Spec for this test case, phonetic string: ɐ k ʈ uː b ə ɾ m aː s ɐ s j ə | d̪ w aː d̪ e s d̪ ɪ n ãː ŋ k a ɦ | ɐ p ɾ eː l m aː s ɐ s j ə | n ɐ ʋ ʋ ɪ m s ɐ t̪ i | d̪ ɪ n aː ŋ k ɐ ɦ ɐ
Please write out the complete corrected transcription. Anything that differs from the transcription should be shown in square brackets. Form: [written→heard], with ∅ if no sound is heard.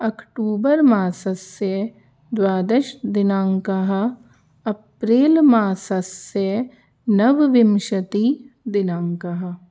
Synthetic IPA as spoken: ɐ k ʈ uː b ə ɾ m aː s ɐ s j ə | d̪ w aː d̪ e [s→ʃ] d̪ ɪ n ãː ŋ k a ɦ | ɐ p ɾ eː l m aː s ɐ s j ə | n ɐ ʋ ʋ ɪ m [s→ʃ] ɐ t̪ i | d̪ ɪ n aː ŋ k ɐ ɦ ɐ